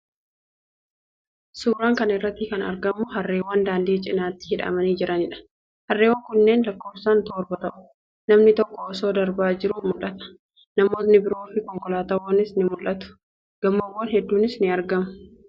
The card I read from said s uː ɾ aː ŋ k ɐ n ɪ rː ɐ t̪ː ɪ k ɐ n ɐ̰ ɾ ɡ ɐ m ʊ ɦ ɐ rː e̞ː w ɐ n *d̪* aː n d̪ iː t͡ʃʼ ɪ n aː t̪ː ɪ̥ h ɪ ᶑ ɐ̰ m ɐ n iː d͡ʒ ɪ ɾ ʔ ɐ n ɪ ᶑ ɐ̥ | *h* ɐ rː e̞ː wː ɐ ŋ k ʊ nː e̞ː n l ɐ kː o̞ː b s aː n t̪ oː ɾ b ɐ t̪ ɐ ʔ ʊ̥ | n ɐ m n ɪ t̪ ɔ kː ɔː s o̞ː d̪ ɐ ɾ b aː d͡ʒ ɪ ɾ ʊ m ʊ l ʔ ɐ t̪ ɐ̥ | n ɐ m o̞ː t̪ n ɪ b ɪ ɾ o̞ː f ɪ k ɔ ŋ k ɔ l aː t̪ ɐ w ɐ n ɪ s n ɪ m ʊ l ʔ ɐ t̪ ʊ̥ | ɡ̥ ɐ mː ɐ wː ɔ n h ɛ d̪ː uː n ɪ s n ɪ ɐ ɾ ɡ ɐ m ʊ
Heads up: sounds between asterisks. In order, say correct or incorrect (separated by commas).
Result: correct, correct